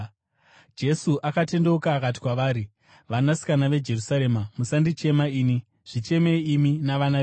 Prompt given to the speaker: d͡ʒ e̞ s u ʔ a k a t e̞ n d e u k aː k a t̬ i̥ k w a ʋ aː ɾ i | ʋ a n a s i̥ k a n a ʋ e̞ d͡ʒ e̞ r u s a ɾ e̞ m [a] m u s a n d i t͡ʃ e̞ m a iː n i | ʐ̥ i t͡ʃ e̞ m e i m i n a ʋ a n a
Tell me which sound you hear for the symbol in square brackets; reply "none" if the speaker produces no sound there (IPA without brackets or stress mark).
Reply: a